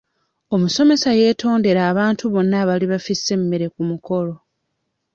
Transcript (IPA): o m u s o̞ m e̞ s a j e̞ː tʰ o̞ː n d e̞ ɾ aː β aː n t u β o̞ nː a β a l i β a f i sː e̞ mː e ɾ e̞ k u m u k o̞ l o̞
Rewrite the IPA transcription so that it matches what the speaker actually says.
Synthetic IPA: o m u s o̞ m e̞ s a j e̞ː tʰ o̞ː n d e̞ ɾ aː β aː n t u β o̞ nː a β a l i β a f i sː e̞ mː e ɾ e̞ k u m u k o̞ l o̞